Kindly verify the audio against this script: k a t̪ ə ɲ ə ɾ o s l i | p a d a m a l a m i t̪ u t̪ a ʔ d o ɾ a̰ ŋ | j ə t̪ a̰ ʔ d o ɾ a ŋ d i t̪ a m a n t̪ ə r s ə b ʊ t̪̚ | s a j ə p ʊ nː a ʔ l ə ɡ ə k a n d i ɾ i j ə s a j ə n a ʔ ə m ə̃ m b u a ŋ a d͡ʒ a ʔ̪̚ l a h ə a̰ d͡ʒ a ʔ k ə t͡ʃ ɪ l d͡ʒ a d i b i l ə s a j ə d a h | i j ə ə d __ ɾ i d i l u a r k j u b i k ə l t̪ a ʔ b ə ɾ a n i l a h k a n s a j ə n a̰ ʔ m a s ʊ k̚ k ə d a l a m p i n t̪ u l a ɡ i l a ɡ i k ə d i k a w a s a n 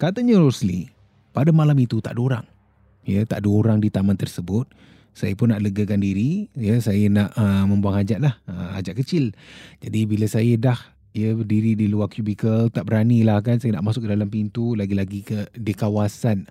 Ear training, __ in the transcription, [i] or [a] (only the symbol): i